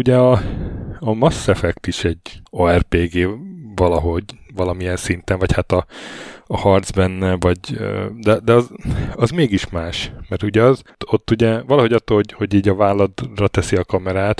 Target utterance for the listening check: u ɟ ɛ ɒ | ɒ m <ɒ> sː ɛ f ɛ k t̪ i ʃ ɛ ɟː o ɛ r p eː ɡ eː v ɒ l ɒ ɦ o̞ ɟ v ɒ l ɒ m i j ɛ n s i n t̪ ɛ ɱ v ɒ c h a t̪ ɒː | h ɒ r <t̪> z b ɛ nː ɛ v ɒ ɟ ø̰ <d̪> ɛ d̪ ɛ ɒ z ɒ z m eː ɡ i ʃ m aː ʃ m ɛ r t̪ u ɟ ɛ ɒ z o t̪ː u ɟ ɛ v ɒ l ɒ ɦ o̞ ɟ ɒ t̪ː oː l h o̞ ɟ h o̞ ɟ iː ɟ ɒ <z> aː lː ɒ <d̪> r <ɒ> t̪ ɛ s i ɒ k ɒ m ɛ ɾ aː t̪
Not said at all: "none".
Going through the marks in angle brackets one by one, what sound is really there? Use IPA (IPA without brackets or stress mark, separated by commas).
ɒ, d̪, d̪, v, d̪, ɒ